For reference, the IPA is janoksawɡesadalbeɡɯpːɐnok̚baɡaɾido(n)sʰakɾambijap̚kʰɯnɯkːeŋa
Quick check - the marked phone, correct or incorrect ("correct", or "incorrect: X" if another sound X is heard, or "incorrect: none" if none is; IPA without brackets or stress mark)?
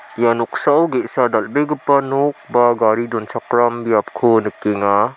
correct